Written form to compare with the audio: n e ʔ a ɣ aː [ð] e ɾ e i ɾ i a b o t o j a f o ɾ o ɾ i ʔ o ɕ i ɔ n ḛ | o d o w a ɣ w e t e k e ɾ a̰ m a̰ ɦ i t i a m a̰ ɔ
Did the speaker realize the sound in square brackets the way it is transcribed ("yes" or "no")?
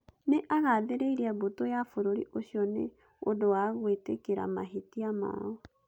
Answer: yes